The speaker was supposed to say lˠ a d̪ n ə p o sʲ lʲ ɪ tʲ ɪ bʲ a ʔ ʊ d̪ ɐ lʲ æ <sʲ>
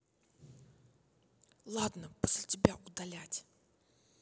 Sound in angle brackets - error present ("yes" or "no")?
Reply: yes